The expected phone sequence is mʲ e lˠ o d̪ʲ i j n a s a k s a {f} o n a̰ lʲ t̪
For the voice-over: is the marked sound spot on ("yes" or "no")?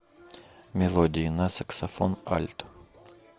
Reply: yes